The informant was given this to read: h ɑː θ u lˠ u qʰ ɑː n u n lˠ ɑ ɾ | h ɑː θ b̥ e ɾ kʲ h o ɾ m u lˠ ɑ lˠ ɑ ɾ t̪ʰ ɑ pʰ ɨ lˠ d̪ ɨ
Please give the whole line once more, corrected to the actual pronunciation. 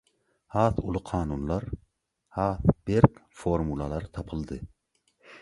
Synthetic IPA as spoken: h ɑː θ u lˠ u qʰ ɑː n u n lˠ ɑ ɾ | h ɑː θ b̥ e ɾ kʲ f o ɾ m u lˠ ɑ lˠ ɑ ɾ t̪ʰ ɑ pʰ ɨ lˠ d̪ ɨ

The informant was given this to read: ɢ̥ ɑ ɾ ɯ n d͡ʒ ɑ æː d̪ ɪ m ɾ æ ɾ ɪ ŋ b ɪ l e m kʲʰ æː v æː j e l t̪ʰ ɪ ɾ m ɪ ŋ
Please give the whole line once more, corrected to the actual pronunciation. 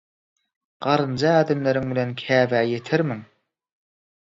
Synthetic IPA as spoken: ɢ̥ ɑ ɾ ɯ n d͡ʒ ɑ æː d̪ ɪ m l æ ɾ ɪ ŋ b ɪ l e n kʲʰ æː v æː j e t̪ʰ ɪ ɾ m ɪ ŋ

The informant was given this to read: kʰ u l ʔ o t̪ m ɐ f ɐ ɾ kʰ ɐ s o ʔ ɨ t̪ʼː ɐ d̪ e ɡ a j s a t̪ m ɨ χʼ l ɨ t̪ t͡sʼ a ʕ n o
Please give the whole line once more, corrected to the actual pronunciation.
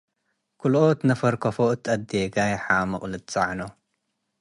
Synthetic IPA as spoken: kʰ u l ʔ o t̪ n ɐ f ɐ ɾ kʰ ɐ f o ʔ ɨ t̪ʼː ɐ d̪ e ɡ a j ħ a m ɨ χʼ l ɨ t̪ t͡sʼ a ʕ n o

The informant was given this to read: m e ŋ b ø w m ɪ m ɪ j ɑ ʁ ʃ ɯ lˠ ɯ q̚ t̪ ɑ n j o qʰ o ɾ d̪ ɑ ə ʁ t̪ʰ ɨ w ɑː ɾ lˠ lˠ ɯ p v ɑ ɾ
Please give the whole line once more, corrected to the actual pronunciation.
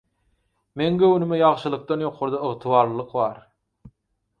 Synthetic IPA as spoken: m e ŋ ɡ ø w n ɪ m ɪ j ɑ ʁ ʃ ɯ lˠ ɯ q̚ t̪ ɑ n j o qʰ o ɾ d̪ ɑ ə ʁ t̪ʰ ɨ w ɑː ɾ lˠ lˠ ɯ q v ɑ ɾ

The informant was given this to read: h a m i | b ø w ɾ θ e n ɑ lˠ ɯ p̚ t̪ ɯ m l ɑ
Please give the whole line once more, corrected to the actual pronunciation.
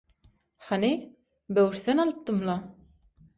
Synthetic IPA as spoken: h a n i | b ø w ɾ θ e n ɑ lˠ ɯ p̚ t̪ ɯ m l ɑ

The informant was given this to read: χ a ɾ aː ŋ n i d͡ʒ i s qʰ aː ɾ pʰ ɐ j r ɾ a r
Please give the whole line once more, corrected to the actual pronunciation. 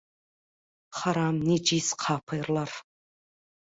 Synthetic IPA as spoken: χ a ɾ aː m n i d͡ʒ i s qʰ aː pʰ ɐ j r l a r

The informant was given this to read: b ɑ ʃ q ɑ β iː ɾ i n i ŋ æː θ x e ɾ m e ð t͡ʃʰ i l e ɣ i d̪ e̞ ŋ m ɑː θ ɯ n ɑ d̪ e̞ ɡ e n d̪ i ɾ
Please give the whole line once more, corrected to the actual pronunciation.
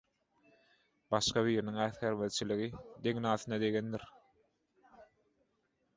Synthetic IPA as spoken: b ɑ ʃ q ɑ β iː ɾ i n i ŋ æː θ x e ɾ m e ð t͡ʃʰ i l i ɣ i d̪ e̞ ŋ n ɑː θ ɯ n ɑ d̪ e̞ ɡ e n d̪ i ɾ

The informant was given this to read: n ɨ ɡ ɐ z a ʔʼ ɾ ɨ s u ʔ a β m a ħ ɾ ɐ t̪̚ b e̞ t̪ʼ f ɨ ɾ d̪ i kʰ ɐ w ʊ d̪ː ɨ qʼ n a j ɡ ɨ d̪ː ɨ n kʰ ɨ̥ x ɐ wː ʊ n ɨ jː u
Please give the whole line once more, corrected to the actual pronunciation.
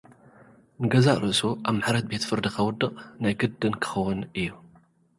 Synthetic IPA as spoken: n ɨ ɡ ɐ z a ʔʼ ɾ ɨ s u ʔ a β m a ħ ɾ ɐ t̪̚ b e̞ t̪ f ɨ ɾ d̪ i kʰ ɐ w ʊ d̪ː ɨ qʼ n a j ɡ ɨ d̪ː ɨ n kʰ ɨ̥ x ɐ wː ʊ n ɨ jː u

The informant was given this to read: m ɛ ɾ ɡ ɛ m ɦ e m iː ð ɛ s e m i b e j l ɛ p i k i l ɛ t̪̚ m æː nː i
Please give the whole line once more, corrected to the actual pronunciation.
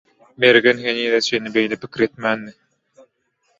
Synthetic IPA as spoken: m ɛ ɾ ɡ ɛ n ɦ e n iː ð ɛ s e n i b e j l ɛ p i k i ɾ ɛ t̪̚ m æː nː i

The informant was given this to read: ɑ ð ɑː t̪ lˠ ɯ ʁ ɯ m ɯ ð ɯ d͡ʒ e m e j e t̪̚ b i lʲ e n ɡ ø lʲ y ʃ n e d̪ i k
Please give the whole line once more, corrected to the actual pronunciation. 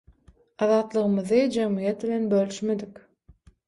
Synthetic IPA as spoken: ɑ ð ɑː t̪ lˠ ɯ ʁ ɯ m ɯ ð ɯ d͡ʒ e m i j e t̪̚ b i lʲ e n b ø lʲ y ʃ m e d̪ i k

